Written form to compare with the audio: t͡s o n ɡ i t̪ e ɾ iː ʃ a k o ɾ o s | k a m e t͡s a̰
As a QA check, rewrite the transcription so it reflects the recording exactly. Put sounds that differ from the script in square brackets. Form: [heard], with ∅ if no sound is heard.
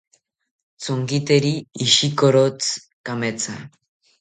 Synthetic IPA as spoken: t͡s o [ŋ] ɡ i t̪ e ɾ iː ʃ [i] k o ɾ o [t͡s] | k a m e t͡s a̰